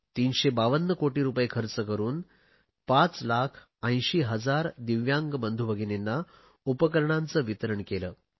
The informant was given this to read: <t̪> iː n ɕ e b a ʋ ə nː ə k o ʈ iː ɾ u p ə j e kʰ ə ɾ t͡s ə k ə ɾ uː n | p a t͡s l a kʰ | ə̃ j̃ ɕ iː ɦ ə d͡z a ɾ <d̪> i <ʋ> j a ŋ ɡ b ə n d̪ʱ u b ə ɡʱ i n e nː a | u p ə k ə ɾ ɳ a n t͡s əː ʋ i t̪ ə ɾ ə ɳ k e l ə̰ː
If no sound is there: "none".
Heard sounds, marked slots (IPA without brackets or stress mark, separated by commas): t̪, d̪, ʋ